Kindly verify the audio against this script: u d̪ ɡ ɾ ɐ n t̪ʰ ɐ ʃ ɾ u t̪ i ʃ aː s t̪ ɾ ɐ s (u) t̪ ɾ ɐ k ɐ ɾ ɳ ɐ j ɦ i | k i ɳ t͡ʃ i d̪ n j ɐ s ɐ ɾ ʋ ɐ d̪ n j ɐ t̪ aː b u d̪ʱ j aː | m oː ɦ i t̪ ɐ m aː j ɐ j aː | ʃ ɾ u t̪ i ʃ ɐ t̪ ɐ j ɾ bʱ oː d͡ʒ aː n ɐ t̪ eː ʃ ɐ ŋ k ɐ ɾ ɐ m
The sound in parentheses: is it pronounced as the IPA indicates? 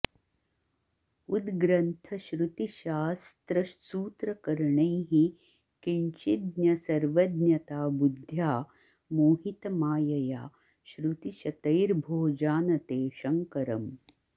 no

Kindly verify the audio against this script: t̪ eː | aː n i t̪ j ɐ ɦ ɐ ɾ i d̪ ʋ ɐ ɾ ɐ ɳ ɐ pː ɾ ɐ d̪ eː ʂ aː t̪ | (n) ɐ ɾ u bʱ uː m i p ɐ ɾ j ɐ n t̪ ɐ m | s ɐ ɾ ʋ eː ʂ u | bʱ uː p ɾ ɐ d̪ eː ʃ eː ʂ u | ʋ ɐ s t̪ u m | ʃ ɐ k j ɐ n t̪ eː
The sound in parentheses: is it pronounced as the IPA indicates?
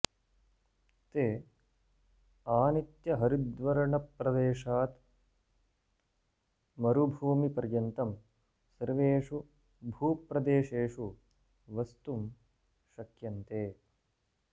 no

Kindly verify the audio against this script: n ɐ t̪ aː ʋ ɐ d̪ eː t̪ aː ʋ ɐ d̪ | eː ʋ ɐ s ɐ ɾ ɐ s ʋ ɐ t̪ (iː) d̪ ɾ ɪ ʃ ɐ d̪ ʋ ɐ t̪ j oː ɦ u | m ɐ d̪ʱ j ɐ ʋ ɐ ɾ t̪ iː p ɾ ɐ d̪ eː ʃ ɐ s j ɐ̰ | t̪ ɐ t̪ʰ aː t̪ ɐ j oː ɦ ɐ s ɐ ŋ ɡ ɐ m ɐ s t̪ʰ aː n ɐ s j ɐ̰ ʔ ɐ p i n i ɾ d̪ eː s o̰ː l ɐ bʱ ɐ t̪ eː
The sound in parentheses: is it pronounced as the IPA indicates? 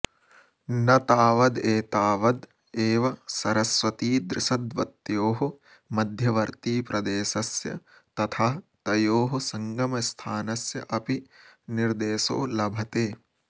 yes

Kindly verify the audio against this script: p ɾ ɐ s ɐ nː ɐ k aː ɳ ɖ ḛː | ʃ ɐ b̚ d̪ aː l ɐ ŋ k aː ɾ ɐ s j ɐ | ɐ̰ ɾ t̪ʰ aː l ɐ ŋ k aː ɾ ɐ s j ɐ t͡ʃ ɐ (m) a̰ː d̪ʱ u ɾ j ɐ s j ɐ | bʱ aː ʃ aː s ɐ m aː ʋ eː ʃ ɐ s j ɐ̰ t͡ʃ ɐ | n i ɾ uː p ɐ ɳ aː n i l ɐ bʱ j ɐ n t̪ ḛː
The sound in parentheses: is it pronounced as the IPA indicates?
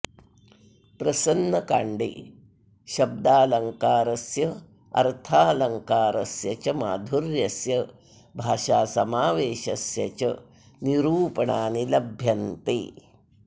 yes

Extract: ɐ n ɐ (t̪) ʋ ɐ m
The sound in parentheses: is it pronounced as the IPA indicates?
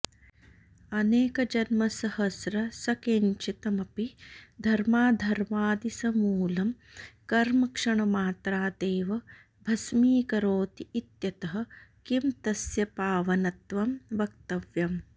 yes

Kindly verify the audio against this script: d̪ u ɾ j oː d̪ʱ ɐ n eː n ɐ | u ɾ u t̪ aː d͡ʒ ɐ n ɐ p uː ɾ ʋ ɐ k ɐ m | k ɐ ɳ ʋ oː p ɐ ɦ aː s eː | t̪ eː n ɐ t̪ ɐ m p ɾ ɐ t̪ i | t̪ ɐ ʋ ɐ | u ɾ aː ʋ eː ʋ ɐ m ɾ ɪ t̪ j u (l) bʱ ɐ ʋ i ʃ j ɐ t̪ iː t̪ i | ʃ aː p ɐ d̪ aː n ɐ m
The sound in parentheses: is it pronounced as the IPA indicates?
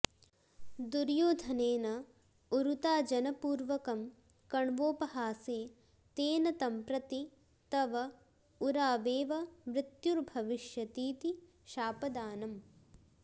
no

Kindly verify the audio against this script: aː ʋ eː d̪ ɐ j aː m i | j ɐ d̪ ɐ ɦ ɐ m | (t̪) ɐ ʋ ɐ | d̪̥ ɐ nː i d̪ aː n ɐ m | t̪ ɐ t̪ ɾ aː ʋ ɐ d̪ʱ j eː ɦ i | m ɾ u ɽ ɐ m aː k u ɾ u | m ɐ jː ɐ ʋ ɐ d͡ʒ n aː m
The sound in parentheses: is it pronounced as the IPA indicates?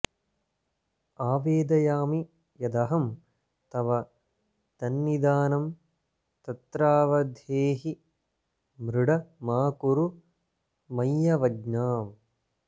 yes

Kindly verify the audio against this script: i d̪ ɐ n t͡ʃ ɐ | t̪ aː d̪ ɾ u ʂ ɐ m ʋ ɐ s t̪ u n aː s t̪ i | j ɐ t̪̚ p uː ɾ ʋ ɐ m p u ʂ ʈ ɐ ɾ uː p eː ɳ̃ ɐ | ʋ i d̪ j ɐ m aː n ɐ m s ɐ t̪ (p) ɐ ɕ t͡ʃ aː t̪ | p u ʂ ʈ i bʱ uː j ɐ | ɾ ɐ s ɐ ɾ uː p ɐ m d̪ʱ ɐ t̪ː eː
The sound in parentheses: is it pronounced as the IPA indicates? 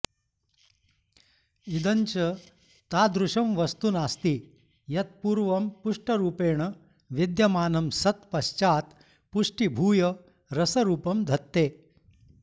yes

